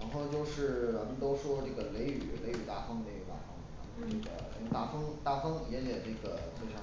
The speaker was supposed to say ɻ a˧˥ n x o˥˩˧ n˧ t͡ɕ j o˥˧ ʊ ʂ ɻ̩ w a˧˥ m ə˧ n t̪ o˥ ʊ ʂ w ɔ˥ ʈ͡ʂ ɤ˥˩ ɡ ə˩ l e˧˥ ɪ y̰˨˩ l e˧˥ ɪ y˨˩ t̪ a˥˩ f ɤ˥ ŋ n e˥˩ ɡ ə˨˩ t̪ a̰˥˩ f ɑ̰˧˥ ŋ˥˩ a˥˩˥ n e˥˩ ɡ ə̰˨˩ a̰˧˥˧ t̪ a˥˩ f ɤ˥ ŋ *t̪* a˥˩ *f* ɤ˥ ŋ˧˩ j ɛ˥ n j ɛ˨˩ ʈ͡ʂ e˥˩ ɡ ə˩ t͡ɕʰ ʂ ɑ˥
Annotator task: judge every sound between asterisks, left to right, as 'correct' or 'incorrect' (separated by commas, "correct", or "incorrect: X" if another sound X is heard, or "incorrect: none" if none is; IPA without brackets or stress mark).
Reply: correct, correct